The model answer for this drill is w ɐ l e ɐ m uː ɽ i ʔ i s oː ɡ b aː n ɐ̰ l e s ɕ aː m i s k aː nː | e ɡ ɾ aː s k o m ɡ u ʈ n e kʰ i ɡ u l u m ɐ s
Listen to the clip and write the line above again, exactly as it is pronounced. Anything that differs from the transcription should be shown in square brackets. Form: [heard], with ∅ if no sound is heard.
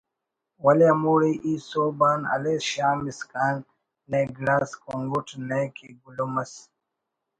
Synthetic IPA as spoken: w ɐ l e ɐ m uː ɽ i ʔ i s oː [∅] b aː n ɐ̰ l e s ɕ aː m i s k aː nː | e ɡ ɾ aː s k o [ŋ] ɡ u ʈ n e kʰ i ɡ u l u m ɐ s